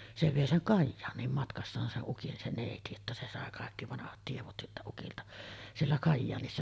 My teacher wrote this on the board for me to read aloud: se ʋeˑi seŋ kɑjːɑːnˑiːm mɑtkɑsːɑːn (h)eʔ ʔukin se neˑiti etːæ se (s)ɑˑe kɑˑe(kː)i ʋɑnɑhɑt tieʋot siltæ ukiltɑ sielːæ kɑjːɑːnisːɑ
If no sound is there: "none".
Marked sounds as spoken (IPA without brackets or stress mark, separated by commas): s, s, kː